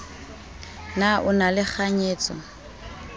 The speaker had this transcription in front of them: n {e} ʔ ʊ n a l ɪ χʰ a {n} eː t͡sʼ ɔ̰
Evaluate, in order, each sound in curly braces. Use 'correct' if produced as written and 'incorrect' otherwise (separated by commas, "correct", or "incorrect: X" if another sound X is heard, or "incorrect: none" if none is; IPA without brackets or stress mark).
incorrect: a, incorrect: ɲ